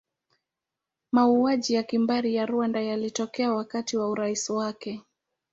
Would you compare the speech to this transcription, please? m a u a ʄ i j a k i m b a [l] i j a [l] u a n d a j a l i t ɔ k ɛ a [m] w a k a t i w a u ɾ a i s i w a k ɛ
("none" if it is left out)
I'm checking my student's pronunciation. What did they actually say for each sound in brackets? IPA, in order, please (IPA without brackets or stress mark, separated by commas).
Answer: ɾ, ɾ, none